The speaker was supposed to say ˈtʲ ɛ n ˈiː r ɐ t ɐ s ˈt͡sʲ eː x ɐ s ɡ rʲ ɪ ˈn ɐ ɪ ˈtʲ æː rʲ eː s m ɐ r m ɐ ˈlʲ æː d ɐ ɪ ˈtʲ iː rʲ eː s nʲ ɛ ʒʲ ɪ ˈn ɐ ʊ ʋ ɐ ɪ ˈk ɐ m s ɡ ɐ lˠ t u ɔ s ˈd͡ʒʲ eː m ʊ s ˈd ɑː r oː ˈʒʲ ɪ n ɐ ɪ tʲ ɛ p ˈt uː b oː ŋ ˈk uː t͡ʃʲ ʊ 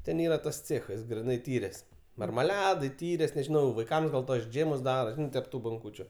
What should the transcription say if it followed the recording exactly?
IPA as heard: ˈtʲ ɛ n ˈiː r ɐ t ɐ s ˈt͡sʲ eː x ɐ s ɡ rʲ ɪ ˈn ɐ ɪ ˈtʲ iː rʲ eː s m ɐ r m ɐ ˈlʲ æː d ɐ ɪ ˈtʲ iː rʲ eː s nʲ ɛ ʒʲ ɪ ˈn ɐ ʊ ʋ ɐ ɪ ˈk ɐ m s ɡ ɐ lˠ t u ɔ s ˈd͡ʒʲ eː m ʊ s ˈd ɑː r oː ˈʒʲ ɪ n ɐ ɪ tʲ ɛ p ˈt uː b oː ŋ ˈk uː t͡ʃʲ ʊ